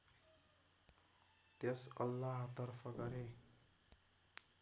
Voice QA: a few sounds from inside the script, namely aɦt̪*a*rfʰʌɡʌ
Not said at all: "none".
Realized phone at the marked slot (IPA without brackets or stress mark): ʌ